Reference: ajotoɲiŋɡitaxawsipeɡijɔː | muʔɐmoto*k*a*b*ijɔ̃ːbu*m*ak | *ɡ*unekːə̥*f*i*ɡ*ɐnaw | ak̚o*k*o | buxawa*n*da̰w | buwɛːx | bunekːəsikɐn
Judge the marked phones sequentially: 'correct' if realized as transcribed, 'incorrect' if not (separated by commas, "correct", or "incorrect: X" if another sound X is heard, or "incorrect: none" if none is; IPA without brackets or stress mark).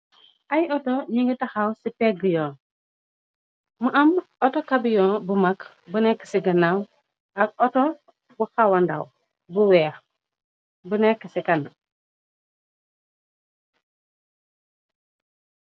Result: correct, correct, correct, incorrect: b, incorrect: s, correct, incorrect: t, correct